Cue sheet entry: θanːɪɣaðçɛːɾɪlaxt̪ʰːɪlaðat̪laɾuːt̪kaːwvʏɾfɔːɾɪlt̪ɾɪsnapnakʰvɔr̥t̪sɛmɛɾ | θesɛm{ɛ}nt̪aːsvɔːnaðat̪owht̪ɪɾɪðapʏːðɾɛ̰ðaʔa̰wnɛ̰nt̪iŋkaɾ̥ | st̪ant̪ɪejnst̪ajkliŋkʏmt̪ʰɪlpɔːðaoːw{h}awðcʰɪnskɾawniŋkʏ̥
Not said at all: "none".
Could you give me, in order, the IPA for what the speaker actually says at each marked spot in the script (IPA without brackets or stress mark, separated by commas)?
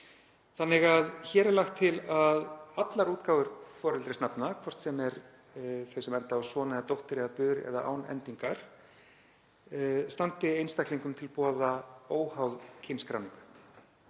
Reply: ɛ, h